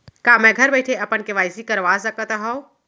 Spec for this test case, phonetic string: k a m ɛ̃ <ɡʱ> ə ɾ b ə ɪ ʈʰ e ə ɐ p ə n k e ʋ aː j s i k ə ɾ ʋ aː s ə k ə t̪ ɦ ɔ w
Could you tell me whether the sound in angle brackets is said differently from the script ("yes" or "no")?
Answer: no